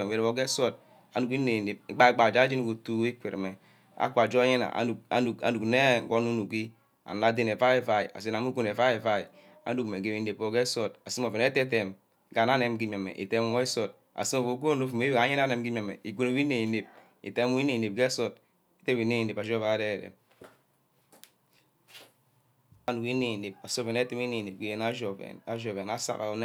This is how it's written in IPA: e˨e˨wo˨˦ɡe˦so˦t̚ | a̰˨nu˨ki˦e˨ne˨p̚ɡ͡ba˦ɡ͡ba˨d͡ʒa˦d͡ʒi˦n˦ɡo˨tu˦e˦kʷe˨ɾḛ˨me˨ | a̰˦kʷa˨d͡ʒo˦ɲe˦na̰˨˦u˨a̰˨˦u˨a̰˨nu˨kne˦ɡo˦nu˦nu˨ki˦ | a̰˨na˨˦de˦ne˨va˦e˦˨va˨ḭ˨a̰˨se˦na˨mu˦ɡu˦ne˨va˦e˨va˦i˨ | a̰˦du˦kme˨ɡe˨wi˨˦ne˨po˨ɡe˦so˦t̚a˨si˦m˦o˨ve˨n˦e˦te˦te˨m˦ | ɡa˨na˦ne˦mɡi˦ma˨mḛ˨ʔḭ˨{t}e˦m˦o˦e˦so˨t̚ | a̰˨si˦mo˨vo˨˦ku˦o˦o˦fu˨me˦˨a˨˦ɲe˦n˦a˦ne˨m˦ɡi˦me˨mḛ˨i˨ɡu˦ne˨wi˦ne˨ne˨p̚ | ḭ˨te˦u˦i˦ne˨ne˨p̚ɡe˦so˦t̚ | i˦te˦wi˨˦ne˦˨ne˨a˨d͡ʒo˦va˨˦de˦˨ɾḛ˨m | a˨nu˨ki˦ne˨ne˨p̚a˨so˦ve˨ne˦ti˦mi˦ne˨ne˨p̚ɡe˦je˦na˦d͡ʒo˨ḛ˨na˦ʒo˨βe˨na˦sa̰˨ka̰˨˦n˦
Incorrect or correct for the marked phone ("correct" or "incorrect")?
correct